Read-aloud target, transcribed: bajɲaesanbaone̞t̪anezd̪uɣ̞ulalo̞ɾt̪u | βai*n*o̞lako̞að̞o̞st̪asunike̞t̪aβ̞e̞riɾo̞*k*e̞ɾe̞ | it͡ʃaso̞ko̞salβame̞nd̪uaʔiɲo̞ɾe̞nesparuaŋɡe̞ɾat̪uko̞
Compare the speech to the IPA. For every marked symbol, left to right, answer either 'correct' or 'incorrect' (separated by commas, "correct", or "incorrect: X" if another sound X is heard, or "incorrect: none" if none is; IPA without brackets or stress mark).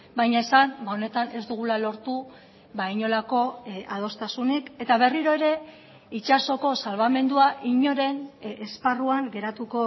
incorrect: ɲ, incorrect: none